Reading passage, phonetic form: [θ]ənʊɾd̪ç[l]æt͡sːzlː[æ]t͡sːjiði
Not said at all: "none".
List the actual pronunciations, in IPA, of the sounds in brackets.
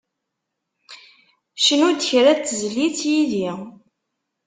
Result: ʃ, ɾ, i

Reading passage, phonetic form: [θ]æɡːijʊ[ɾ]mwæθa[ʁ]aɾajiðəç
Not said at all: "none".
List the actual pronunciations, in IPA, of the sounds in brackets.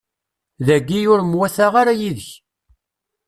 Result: ð, ɾ, ʁ

